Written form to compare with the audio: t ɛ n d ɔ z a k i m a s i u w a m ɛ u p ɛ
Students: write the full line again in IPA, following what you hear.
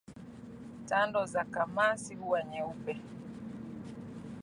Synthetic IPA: t a n d ɔ z a k a m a s i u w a ɲ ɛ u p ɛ